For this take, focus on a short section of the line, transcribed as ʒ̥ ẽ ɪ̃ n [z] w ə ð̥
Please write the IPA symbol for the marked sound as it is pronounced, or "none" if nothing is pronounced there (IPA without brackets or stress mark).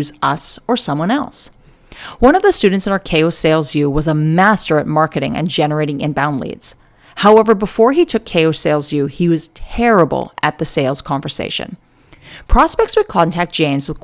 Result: z